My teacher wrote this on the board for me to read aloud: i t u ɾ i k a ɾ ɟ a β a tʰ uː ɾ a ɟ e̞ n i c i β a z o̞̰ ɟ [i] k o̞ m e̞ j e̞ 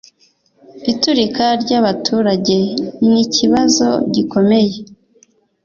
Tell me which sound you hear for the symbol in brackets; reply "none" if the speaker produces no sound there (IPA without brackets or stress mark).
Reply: i